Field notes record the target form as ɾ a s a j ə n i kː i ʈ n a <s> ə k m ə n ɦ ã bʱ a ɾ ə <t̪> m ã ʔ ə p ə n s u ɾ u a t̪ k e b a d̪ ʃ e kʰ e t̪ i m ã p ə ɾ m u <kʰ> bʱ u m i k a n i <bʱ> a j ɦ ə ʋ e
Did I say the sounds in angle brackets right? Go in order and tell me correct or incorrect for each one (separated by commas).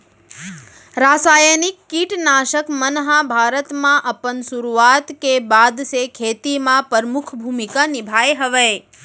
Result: incorrect, correct, correct, correct